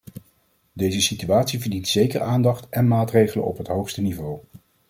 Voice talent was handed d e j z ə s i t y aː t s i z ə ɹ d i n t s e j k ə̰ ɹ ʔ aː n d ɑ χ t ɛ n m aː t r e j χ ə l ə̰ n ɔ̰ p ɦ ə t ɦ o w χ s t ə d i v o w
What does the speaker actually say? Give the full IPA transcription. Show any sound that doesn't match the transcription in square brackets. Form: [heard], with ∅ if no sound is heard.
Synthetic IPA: d e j z ə s i t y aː t s i [v] ə ɹ d i n t s e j k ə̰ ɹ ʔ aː n d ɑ χ t ɛ n m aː t r e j χ ə l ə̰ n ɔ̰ p ɦ ə t ɦ o w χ s t ə [n] i v o w